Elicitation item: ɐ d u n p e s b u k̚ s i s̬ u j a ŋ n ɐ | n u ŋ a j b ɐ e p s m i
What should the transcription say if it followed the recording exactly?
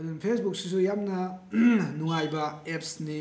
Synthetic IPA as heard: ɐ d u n pʰ e s b u k̚ s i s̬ u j a m n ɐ | n u ŋ a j b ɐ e p s n i

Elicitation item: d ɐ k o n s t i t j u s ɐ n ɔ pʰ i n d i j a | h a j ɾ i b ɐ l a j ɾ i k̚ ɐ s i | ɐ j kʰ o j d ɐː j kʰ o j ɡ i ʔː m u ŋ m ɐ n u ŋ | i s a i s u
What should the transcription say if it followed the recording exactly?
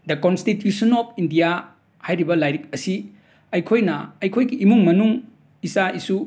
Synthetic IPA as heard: d ɐ k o n s t i t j u s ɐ n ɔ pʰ i n d i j a | h a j ɾ i b ɐ l a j ɾ i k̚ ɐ s i | ɐ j kʰ o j n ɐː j kʰ o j ɡ i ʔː m u ŋ m ɐ n u ŋ | i s a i s u

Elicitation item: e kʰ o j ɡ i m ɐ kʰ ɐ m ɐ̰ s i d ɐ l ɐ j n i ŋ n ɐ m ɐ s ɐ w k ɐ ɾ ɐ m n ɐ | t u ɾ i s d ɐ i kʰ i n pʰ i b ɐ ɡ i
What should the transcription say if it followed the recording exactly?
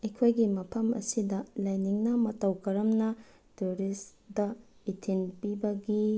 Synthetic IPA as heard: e kʰ o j ɡ i m ɐ pʰ ɐ m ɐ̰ s i d ɐ l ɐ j n i ŋ n ɐ m ɐ t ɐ w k ɐ ɾ ɐ m n ɐ | t u ɾ i s d ɐ i tʰ i n p i b ɐ ɡ i

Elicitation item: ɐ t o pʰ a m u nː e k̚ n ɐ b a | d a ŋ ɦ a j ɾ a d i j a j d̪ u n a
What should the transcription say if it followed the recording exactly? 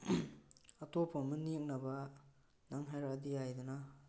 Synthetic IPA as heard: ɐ t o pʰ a m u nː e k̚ n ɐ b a | n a ŋ ɦ a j ɾ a d i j a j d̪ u n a

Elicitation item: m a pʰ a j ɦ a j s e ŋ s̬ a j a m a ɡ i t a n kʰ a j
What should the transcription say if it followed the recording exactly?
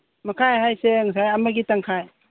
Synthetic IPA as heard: m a kʰ a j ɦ a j s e ŋ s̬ a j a m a ɡ i t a ŋ kʰ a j

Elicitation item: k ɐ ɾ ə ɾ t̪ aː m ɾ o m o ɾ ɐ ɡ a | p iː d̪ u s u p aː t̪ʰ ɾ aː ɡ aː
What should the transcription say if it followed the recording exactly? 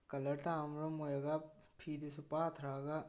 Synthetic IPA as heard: k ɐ l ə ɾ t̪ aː m ɾ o m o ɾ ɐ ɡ a | pʰ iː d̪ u s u p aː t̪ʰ ɾ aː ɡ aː

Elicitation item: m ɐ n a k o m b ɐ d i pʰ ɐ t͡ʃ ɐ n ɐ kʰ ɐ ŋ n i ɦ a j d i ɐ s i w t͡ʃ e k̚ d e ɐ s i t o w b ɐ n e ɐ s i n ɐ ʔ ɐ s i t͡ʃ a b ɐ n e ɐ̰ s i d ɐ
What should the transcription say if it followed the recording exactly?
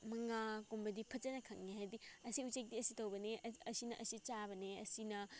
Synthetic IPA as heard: m ɐ ŋ a k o m b ɐ d i pʰ ɐ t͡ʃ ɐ n ɐ kʰ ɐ ŋ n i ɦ a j d i ɐ s i u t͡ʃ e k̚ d i ɐ s i t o w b ɐ n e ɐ s i n ɐ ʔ ɐ s i t͡ʃ a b ɐ n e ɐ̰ s i n ɐ

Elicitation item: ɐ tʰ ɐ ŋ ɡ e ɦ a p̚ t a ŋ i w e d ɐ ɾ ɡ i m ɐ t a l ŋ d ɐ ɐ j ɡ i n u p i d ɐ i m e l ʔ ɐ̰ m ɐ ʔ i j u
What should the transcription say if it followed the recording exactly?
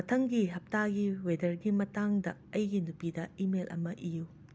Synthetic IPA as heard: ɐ tʰ ɐ ŋ ɡ i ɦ ɐ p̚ t a ɡ i w e d ɐ ɾ ɡ i m ɐ t a ŋ d ɐ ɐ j ɡ i n u p i d ɐ i m e l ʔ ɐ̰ m ɐ ʔ i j u

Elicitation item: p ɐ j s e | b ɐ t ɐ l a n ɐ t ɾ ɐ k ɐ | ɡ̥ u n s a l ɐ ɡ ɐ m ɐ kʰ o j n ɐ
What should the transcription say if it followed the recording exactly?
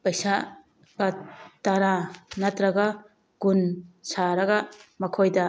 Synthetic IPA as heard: p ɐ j s a | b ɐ t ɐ ɾ a n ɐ t ɾ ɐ ɡ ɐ | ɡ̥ u n s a ɾ ɐ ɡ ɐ m ɐ kʰ o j d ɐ

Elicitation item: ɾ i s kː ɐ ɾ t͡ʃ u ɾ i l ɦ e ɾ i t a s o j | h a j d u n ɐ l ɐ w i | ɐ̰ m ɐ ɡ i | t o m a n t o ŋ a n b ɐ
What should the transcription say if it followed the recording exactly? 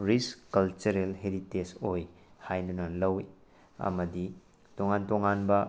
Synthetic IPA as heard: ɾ i s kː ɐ l t͡ʃ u ɾ e l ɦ e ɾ i t e s o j | h a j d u n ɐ l ɐ w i | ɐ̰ m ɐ d i | t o ŋ a n t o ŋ a n b ɐ

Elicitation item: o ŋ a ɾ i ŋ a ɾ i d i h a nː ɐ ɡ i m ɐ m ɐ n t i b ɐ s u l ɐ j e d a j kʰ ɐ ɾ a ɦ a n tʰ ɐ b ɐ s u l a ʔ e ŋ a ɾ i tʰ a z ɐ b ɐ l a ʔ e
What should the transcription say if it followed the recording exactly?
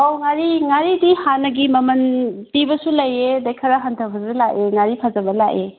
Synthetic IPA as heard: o ŋ a ɾ i ŋ a ɾ i d i h a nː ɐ ɡ i m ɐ m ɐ n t i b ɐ s u l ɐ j e d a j kʰ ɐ ɾ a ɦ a n tʰ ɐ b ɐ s u l a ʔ e ŋ a ɾ i pʰ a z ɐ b ɐ l a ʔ e

